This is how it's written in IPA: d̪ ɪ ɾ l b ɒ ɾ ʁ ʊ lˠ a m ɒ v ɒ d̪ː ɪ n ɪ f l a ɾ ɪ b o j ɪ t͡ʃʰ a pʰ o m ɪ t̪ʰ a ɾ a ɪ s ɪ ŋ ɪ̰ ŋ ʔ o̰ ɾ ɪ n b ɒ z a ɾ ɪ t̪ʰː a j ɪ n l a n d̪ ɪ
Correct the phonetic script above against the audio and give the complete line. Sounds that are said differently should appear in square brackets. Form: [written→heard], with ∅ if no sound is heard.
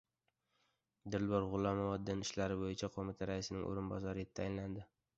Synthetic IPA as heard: d̪ ɪ ɾ l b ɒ ɾ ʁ ʊ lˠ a m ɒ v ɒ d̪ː ɪ n ɪ [f→ʃ] l a ɾ ɪ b o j ɪ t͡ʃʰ a [pʰ→qʰ] o m ɪ t̪ʰ a ɾ a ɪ s ɪ [ŋ→n] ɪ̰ ŋ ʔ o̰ ɾ ɪ n b ɒ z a ɾ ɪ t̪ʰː a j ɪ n l a n d̪ ɪ